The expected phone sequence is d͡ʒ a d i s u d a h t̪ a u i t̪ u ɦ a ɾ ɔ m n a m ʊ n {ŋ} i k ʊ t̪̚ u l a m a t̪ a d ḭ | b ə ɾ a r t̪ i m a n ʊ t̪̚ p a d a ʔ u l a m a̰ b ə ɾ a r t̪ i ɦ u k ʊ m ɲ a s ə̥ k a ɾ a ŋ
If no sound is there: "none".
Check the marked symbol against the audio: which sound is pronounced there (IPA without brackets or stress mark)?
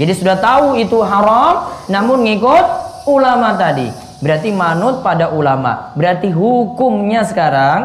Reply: ŋ